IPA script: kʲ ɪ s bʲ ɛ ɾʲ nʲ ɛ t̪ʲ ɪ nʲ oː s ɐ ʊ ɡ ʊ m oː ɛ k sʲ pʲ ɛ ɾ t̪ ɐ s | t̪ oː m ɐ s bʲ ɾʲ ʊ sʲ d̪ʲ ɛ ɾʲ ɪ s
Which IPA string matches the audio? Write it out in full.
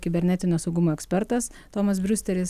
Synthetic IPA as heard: kʲ ɪ bʲ ɛ ɾʲ nʲ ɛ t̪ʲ ɪ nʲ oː s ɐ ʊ ɡ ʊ m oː ɛ k sʲ pʲ ɛ ɾ t̪ ɐ s | t̪ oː m ɐ s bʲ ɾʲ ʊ sʲ t̪ʲ ɛ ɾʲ ɪ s